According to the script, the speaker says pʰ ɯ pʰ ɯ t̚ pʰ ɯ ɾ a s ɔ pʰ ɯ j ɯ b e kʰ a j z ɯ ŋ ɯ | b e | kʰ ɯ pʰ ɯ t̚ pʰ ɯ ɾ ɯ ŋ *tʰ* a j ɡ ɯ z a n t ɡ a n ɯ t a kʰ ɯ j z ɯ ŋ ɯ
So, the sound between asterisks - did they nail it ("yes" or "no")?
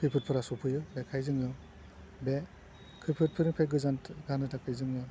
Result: no